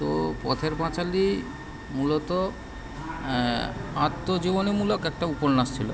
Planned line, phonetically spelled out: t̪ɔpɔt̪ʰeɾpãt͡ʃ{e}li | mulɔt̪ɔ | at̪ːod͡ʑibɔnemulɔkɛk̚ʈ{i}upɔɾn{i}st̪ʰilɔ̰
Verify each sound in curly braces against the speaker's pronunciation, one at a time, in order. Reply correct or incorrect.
incorrect, incorrect, incorrect

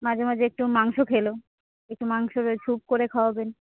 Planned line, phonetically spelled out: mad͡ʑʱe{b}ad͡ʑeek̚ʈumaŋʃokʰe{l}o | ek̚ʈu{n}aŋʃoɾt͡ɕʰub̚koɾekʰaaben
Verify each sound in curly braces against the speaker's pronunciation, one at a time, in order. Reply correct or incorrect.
incorrect, correct, incorrect

